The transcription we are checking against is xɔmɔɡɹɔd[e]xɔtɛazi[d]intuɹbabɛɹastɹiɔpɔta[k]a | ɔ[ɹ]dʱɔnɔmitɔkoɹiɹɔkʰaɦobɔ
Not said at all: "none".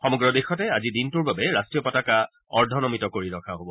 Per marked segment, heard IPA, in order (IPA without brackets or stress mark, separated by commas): e, d, k, ɹ